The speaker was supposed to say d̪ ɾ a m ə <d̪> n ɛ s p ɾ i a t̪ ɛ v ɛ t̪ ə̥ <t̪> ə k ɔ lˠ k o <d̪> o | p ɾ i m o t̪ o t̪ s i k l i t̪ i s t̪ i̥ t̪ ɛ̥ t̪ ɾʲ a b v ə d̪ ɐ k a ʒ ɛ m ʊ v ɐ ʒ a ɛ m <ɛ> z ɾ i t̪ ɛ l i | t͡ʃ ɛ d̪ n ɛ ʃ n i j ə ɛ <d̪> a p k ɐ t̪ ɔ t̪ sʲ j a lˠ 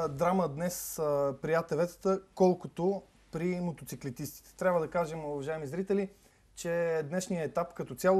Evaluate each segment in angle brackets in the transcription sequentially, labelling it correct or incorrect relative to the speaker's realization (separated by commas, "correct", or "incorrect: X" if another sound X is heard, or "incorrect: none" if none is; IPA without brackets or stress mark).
correct, correct, incorrect: t̪, incorrect: i, incorrect: t̪